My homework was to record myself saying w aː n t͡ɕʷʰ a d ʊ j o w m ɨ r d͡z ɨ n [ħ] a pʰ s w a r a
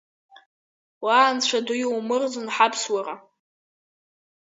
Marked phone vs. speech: correct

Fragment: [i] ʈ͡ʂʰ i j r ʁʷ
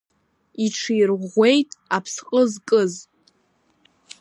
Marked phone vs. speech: correct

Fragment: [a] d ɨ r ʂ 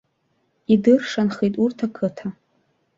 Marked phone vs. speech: incorrect: i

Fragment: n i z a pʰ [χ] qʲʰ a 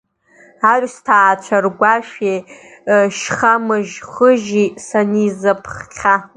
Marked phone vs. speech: correct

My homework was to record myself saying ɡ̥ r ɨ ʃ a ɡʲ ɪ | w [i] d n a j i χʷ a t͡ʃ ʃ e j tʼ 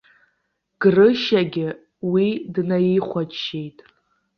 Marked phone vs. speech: correct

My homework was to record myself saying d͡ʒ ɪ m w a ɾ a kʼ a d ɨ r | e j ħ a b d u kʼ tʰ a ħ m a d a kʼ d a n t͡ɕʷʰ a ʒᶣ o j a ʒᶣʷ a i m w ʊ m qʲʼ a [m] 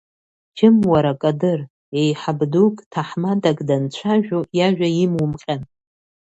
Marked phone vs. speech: incorrect: n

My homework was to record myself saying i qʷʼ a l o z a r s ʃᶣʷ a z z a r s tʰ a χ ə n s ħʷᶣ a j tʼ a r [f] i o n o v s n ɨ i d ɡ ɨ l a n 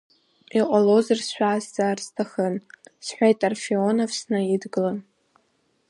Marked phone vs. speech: correct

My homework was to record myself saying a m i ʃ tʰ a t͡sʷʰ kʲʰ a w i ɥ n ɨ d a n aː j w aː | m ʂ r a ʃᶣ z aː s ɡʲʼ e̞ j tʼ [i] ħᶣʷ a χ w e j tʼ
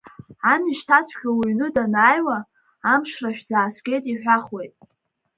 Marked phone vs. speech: correct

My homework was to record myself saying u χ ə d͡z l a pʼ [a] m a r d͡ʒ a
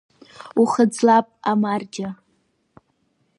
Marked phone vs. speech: correct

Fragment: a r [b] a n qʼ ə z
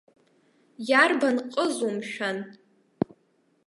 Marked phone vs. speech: correct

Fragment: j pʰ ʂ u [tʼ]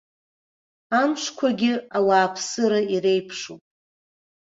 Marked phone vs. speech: incorrect: pʼ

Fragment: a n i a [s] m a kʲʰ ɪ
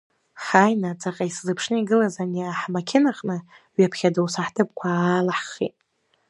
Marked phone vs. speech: incorrect: ħ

